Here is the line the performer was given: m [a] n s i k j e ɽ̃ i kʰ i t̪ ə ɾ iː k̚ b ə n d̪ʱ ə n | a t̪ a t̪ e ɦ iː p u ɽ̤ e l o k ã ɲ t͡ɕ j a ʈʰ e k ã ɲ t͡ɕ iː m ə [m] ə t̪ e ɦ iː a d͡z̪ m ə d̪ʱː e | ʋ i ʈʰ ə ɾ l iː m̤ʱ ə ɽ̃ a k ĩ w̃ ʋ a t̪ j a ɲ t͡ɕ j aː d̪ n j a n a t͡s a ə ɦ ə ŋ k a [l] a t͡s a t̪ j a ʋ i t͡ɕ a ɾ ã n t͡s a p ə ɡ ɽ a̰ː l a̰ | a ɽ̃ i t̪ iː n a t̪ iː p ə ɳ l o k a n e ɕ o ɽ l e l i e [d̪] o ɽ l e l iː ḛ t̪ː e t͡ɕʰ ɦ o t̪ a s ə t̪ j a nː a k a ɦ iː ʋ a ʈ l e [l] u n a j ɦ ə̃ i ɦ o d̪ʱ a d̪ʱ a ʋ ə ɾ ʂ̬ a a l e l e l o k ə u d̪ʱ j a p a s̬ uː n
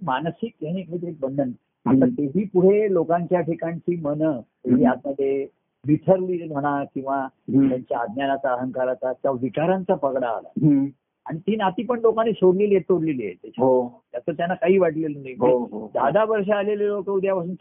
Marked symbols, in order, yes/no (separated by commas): yes, no, no, no, yes